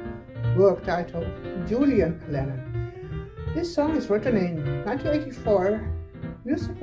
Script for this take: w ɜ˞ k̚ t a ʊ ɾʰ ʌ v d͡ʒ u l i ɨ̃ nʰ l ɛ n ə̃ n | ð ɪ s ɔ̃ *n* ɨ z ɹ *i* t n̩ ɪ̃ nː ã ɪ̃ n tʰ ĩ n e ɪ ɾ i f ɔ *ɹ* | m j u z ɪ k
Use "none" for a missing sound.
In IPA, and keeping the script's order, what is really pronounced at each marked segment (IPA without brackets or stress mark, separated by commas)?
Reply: ŋ, ɪ, ɹ